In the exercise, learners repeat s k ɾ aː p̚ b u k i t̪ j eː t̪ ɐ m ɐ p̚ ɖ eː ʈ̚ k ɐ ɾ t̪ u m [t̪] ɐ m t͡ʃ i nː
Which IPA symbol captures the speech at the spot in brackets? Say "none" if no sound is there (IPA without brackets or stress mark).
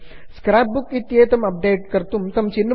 t̪